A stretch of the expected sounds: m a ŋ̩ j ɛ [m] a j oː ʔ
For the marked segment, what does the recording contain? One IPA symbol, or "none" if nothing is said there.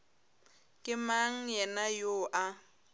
n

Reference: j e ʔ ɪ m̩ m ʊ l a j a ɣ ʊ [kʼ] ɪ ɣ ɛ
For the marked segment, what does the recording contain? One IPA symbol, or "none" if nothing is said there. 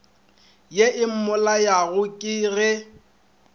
kʼ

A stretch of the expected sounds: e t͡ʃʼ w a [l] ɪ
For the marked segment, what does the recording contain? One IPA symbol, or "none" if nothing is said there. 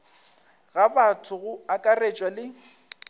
l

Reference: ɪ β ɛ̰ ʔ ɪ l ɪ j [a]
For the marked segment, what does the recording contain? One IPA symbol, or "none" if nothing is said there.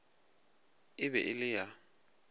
a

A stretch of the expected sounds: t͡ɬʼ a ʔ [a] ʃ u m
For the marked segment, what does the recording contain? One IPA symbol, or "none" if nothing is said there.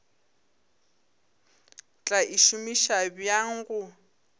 i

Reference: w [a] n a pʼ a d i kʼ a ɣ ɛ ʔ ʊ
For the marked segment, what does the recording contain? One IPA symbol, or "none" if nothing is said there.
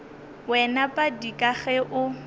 ɛ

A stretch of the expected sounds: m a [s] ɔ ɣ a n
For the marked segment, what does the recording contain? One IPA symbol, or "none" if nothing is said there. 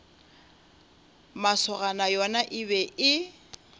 s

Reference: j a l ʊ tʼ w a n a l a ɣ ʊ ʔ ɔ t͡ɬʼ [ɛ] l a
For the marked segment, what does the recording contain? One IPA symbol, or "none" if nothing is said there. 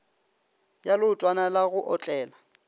ɛː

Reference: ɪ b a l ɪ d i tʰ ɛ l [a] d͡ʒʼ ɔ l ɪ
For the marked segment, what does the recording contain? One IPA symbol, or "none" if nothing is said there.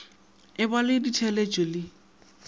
e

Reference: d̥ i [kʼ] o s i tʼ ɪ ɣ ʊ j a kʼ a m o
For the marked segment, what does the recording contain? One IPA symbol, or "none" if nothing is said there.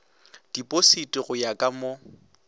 pʼ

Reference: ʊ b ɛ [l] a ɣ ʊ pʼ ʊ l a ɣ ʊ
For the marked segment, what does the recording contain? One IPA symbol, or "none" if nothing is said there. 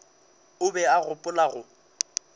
none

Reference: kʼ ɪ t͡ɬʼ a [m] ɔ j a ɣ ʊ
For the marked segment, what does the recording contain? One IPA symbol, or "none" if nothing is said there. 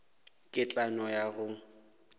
n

